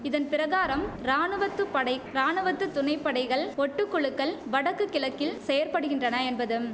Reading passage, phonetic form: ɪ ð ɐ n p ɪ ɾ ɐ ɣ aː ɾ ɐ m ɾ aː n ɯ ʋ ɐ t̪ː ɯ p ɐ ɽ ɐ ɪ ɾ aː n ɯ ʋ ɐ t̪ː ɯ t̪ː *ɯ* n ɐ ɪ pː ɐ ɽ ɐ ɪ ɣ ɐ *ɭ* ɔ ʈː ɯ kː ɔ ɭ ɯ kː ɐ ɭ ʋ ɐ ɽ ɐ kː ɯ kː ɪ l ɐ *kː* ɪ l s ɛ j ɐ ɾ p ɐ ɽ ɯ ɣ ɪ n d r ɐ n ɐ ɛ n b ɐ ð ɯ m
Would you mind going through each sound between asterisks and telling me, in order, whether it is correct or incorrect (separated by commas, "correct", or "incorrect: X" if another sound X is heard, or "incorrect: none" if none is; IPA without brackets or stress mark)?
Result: incorrect: ʊ, correct, correct